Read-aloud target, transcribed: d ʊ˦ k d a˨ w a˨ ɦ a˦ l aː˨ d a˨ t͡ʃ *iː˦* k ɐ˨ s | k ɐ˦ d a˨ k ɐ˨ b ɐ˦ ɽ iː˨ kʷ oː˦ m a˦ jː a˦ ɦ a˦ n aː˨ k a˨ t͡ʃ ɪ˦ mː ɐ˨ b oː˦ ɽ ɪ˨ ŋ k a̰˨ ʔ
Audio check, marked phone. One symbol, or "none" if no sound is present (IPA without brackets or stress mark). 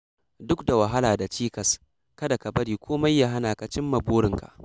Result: iː˦